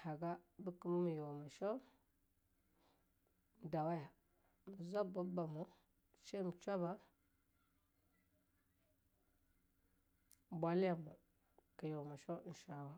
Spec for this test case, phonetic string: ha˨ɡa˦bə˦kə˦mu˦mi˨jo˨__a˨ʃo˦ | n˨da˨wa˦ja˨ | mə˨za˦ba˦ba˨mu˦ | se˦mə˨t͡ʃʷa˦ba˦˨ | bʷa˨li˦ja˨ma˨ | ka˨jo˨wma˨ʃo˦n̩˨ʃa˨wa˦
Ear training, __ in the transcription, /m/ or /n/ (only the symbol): m